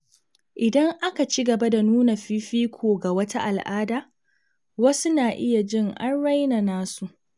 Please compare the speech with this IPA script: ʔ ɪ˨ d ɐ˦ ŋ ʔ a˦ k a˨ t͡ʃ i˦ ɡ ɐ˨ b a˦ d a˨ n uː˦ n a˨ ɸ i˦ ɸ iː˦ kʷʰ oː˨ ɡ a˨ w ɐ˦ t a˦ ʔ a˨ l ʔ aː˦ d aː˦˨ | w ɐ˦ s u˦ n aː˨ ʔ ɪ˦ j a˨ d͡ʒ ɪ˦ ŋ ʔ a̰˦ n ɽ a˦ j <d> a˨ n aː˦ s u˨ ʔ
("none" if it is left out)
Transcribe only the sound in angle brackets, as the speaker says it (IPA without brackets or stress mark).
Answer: n